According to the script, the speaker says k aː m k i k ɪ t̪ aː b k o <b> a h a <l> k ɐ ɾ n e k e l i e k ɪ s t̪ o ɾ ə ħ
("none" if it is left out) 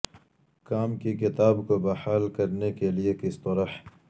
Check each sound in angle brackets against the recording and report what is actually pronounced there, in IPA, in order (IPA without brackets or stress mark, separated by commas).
b, l